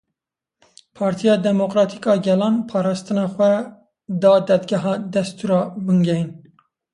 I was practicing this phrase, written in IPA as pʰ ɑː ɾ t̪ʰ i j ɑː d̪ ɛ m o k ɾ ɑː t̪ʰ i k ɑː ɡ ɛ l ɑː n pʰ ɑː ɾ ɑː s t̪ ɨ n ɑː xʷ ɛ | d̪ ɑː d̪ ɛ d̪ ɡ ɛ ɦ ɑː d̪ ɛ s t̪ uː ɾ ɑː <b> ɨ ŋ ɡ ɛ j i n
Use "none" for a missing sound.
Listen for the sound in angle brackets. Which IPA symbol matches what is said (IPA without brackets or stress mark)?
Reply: b